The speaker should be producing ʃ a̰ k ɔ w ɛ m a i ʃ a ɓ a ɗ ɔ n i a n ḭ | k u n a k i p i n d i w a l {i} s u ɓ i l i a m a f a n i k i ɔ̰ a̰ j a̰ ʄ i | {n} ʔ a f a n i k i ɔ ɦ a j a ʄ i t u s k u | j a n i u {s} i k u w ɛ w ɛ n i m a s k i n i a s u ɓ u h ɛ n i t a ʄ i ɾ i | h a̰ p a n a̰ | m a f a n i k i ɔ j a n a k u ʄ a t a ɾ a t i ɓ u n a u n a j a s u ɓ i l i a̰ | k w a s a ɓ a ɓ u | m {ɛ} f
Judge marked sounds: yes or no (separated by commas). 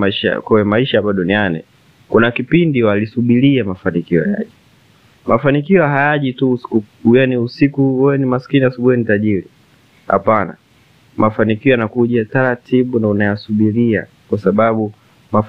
yes, no, yes, no